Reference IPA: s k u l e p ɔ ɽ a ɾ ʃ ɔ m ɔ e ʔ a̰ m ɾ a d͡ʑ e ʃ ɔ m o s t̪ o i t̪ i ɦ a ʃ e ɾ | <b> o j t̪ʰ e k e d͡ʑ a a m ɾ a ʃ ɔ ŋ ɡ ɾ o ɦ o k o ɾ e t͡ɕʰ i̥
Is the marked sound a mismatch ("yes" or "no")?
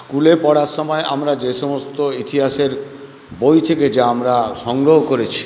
no